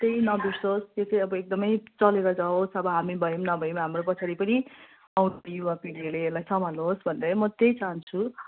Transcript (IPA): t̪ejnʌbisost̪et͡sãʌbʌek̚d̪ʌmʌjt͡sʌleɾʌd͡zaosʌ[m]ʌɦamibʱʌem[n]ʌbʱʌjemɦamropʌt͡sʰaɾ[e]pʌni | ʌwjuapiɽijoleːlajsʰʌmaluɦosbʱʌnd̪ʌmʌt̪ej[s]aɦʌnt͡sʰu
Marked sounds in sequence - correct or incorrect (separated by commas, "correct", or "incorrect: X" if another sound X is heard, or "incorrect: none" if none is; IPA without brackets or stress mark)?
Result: incorrect: b, correct, incorrect: i, incorrect: t͡s